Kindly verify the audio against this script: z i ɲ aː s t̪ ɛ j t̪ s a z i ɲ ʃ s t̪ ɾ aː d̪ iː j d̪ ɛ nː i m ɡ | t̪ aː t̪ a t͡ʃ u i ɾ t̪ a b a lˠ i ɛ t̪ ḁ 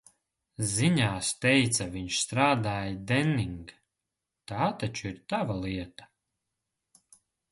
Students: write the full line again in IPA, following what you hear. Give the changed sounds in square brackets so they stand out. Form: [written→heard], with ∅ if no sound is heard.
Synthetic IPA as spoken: z i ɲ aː s t̪ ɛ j t̪ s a [z→v] i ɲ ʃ s t̪ ɾ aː d̪ [iː→aː] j d̪ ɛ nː i [m→ŋ] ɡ | t̪ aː t̪ a t͡ʃ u i ɾ t̪ a [b→v] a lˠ i ɛ t̪ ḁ